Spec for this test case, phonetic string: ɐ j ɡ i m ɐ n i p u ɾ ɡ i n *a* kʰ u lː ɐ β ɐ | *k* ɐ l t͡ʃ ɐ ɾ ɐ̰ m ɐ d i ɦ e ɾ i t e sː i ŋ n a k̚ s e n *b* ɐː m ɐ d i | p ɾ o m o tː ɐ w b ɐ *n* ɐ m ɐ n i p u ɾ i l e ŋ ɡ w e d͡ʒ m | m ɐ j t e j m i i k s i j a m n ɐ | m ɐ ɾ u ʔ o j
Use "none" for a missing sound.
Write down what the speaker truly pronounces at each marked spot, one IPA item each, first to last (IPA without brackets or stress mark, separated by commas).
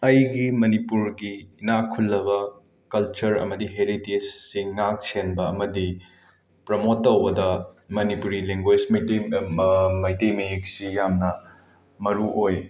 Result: a, k, b, d